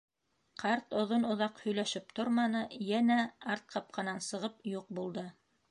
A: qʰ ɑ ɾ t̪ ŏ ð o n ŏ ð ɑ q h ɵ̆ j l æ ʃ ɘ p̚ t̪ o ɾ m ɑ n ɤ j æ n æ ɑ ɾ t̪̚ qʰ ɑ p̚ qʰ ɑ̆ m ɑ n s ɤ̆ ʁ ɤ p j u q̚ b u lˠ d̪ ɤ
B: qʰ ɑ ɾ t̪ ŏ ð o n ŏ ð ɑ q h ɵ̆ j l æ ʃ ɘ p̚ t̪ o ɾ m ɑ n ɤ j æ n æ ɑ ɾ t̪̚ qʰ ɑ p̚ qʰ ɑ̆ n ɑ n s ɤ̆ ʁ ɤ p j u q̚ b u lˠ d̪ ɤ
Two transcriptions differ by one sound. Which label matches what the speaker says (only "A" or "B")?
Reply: B